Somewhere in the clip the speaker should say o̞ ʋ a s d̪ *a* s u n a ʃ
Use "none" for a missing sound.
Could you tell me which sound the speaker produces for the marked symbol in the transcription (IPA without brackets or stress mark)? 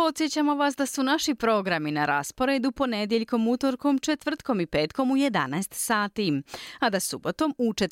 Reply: a